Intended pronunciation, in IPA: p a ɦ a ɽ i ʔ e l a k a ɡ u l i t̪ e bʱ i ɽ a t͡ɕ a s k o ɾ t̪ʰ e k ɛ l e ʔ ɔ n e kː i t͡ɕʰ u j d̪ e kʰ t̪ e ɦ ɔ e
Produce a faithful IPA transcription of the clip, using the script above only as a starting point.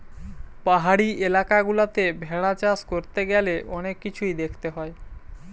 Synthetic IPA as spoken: p a ɦ a ɽ i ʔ e l a k a ɡ u l a t̪ e bʱ ɛ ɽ a t͡ɕ a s k o ɾ t̪ e ɡ ɛ l e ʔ ɔ n e kː i t͡ɕʰ u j d̪ e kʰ t̪ e ɦ ɔ e

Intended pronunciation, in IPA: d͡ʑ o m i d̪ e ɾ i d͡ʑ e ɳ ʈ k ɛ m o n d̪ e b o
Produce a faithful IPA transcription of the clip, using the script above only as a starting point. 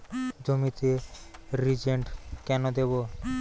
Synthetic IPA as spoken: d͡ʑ o m i t̪ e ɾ i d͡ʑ e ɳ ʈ k ɛ n o d̪ e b o

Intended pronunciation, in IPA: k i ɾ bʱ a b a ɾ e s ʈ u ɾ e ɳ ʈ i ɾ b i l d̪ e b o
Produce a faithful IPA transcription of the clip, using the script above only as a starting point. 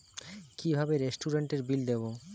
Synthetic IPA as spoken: k i bʱ a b e ɾ e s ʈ u ɾ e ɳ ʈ e ɾ b i l d̪ e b o

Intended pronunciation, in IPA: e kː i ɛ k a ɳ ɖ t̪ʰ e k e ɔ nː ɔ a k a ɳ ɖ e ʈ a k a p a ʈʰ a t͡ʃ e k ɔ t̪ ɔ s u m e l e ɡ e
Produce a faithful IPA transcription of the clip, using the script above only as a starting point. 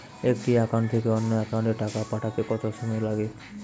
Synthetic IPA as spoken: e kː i a k a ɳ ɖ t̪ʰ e k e ɔ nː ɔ a k a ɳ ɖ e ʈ a k a p a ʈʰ a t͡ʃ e k ɔ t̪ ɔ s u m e l a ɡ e

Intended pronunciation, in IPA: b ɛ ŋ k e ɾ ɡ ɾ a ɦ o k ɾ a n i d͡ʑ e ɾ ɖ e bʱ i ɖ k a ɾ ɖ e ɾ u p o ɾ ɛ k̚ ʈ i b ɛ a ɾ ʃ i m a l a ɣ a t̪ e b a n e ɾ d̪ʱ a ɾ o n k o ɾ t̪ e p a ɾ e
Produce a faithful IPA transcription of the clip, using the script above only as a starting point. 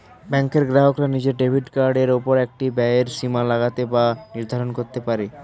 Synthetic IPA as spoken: b ɛ ŋ k e ɾ ɡ ɾ a ɦ o k ɾ a n i d͡ʑ e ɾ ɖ e bʱ i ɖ k a ɾ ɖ e ɾ o p o ɾ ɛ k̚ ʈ i b ɛ e ɾ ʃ i m a l a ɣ a t̪ e b a n i ɾ d̪ʱ a ɾ o n k o ɾ t̪ e p a ɾ e

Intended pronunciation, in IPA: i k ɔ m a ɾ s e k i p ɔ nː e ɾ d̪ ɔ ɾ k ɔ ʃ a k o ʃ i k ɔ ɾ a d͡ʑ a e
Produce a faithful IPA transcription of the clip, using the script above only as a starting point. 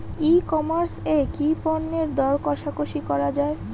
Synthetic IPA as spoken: i k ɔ m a ɾ s e k i p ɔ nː e ɾ d̪ ɔ ɾ k ɔ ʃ a k o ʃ i k ɔ ɾ a d͡ʑ a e

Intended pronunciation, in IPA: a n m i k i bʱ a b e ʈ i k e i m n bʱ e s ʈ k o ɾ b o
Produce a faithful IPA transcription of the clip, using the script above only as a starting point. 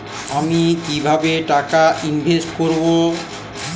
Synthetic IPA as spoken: a m i k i bʱ a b e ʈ a k a i n bʱ e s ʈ k o ɾ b o

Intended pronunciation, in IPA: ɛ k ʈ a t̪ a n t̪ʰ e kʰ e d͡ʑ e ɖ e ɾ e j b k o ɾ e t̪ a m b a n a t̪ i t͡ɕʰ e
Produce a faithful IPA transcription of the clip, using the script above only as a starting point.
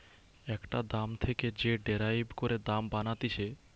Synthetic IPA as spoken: ɛ k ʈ a d̪ a m t̪ʰ e k e d͡ʑ e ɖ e ɾ a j b k o ɾ e d̪ a m b a n a t̪ i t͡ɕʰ e

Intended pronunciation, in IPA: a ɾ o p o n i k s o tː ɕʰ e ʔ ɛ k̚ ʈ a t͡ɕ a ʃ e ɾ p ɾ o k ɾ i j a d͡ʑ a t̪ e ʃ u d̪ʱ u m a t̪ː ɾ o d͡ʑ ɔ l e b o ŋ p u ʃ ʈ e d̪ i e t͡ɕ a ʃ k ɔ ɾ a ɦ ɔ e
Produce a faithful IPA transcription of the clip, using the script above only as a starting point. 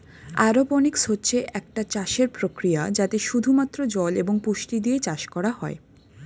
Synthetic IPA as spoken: a ɾ o p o n i k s o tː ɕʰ e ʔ ɛ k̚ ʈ a t͡ɕ a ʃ e ɾ p ɾ o k ɾ i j a d͡ʑ a t̪ e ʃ u d̪ʱ u m a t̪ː ɾ o d͡ʑ ɔ l e b o ŋ p u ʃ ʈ i d̪ i e t͡ɕ a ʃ k ɔ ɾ a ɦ ɔ e

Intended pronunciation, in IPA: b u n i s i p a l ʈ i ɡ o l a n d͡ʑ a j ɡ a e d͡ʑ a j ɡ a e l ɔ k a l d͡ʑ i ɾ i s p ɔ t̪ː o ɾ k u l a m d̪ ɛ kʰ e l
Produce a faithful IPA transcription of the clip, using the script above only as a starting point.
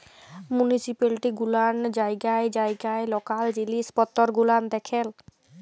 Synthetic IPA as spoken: m u n i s i p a l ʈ i ɡ u l a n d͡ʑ a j ɡ a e d͡ʑ a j ɡ a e l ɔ k a l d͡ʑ i l i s p ɔ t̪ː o ɾ ɡ u l a m d̪ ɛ kʰ e l

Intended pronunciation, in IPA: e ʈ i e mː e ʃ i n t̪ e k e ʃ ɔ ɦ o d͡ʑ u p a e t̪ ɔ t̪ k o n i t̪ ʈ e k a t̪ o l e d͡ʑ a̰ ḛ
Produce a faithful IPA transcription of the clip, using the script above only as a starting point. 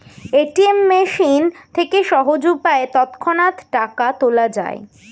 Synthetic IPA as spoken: e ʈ i e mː e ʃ i n t̪ʰ e k e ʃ ɔ ɦ o d͡ʑ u p a e t̪ ɔ t̪ kʰ o n a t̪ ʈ a k a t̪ o l a d͡ʑ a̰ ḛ

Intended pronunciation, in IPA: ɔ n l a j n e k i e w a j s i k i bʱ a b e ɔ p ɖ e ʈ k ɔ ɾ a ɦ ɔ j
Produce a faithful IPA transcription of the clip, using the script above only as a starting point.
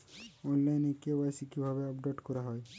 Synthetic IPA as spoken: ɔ n l a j n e k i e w a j s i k i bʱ a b e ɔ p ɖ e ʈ k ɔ ɾ a ɦ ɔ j

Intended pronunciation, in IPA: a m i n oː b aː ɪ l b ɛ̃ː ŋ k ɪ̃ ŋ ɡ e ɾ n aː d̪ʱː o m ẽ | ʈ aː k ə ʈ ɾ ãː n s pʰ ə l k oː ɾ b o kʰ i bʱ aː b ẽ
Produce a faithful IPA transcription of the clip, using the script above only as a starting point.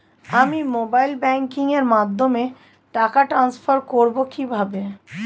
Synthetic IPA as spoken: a m i m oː b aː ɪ l b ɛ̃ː ŋ k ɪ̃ ŋ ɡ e ɾ m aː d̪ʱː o m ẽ | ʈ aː k a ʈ ɾ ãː n s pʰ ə ɾ k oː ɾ b o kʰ i bʱ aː b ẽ

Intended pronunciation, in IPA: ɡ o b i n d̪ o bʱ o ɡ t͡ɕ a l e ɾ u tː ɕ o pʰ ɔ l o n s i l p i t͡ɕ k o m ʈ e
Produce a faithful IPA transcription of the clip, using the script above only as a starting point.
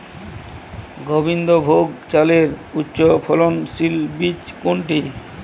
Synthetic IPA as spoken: ɡ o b i n d̪ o bʱ o ɡ t͡ɕ a l e ɾ u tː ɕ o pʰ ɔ l o n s i l b i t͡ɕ k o ɳ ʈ i

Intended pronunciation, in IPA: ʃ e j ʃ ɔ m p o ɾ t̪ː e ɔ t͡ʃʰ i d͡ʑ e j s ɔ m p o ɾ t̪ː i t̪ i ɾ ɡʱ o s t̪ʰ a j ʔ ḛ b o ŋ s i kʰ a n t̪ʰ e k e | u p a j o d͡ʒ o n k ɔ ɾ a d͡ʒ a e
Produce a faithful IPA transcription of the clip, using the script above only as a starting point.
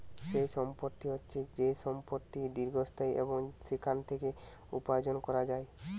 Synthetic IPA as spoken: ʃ e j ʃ ɔ m p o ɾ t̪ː i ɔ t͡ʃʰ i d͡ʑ e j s ɔ m p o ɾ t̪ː i d̪ i ɾ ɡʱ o s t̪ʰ a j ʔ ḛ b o ŋ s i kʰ a n t̪ʰ e k e | u p a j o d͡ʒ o n k ɔ ɾ a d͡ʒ a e

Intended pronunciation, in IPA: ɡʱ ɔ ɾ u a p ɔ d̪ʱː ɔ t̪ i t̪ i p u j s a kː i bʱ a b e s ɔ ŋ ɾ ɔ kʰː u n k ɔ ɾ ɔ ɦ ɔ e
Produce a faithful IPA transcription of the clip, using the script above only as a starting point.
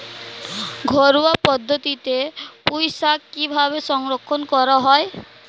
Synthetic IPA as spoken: ɡʱ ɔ ɾ u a p ɔ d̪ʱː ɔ t̪ i t̪ e p u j s a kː i bʱ a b e s ɔ ŋ ɾ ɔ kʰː ɔ n k ɔ ɾ ɔ ɦ ɔ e

